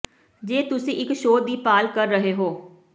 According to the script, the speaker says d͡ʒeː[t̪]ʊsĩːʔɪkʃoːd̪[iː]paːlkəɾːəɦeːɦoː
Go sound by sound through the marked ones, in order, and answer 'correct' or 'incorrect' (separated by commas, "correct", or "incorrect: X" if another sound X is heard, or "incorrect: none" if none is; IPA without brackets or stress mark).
correct, correct